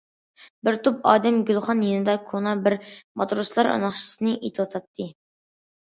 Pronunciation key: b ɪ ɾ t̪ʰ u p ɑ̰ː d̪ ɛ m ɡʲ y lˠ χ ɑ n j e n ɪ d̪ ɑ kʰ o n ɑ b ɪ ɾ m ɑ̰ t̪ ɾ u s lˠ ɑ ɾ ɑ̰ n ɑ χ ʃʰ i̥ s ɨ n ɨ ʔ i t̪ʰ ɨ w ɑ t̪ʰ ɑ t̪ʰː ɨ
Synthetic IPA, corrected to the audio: b ɪ ɾ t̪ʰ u p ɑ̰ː d̪ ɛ m ɡʲ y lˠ χ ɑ n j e n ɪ d̪ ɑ kʰ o n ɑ b ɪ ɾ m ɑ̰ t̪ ɾ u s lˠ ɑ ɾ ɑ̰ n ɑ χ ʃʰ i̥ s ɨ n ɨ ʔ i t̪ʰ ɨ w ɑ t̪ʰ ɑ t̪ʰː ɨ